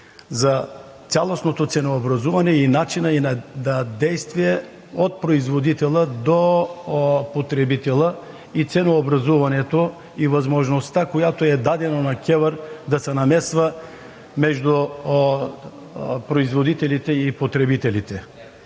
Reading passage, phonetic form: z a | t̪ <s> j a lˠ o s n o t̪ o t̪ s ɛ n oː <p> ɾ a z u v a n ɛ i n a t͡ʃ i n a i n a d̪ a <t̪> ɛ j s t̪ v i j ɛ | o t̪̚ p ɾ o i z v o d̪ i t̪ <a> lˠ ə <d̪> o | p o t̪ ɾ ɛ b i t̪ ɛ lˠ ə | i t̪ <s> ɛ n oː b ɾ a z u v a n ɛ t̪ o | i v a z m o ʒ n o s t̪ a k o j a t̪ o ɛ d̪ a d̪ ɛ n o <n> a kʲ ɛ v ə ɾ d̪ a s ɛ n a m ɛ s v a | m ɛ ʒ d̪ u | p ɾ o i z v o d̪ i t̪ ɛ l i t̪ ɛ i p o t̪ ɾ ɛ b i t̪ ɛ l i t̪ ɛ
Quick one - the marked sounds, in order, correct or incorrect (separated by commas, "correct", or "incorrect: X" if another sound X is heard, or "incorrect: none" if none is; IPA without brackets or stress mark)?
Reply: correct, incorrect: b, incorrect: d̪, incorrect: ɛ, correct, correct, correct